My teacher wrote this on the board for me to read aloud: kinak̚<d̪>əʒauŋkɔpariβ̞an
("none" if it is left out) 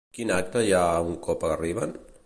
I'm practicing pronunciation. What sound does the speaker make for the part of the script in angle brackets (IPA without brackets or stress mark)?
t̪